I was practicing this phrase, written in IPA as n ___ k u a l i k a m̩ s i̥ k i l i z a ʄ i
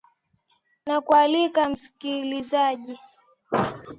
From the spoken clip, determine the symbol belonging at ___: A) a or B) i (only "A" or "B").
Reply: A